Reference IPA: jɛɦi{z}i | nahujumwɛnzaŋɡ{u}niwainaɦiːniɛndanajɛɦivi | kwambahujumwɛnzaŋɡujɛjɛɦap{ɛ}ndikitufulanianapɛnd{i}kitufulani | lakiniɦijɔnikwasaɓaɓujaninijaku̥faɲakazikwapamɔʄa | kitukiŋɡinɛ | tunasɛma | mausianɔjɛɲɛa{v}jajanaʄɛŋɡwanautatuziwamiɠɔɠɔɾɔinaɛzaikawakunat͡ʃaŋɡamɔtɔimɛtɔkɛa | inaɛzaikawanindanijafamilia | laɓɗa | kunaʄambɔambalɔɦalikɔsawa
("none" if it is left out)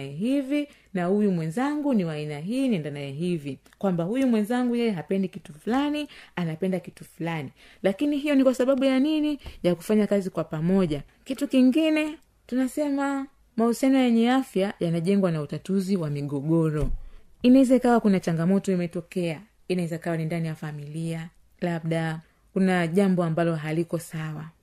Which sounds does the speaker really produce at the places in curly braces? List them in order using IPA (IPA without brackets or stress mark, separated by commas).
v, u, ɛ, a, f